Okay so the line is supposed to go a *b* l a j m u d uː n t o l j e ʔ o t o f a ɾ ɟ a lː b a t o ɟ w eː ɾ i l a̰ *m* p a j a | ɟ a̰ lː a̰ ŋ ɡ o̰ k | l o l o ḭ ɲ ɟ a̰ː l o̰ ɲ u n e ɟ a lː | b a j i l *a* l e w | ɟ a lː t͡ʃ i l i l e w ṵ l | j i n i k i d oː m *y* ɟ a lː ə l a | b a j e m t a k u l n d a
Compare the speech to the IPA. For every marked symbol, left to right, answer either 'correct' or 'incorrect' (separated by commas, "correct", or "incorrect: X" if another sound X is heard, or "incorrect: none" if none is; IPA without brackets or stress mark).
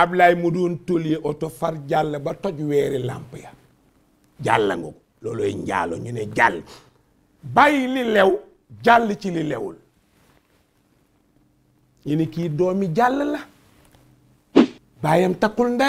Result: correct, correct, incorrect: i, incorrect: i